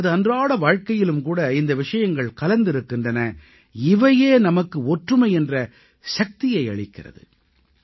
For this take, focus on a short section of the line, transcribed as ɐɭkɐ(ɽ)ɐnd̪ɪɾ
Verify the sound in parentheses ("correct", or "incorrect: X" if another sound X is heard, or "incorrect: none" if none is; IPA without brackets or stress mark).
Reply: incorrect: l